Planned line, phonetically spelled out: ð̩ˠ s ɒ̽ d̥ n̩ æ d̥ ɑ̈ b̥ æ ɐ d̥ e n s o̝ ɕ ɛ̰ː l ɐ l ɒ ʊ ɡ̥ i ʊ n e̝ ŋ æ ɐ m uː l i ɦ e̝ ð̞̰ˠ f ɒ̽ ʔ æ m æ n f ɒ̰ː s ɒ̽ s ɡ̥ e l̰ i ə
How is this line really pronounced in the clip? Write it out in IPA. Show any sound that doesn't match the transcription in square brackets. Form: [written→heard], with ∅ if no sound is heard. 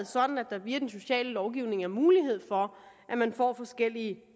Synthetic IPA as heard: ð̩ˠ s ɒ̽ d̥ n̩ æ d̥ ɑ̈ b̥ [æ→i] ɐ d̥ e n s o̝ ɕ ɛ̰ː l [ɐ→ə] l ɒ ʊ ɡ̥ i ʊ n e̝ ŋ æ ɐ m uː l i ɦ e̝ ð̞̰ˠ f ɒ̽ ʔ æ m æ n f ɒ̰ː [s→f] ɒ̽ s ɡ̥ e l̰ i ə